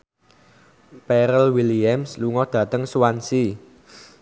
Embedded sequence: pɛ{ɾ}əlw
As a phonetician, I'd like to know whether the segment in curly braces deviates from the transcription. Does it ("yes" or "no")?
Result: no